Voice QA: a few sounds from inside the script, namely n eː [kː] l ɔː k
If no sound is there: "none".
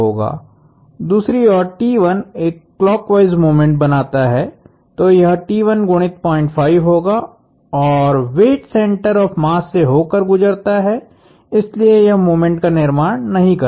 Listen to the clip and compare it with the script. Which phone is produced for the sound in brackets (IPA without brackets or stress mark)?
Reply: kː